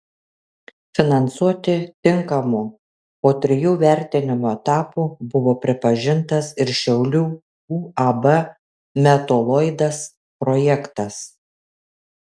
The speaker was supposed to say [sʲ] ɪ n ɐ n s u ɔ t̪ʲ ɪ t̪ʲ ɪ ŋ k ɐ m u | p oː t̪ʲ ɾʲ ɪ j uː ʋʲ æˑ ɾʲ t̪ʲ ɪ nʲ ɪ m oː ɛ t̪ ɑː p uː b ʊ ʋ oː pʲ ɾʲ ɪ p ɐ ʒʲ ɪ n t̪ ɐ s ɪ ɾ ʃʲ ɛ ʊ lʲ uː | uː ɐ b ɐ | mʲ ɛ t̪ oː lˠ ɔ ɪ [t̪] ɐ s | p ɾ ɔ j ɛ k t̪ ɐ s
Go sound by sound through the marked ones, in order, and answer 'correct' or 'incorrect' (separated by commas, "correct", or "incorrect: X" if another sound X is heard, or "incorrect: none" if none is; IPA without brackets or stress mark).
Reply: incorrect: fʲ, incorrect: d̪